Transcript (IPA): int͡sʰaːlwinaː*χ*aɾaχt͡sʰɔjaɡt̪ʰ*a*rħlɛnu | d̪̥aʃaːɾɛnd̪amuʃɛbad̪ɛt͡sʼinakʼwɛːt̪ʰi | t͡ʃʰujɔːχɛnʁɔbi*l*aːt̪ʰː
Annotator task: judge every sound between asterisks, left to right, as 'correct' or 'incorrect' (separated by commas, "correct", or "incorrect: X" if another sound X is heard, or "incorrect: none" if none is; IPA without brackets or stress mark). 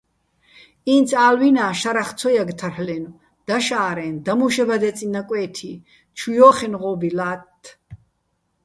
incorrect: ʃ, correct, correct